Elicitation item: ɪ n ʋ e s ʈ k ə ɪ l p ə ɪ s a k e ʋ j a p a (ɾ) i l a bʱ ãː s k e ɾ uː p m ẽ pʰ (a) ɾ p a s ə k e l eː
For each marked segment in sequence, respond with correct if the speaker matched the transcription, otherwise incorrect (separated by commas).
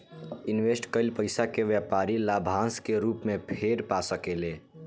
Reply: correct, incorrect